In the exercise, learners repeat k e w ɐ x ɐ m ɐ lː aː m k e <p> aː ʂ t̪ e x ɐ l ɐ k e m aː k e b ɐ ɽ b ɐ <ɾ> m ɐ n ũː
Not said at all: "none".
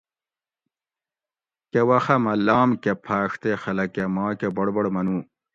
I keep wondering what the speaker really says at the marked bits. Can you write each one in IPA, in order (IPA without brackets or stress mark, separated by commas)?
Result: pʰ, ɽ